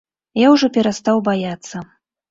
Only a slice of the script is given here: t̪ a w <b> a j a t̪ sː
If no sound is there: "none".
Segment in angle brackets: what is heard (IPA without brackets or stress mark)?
b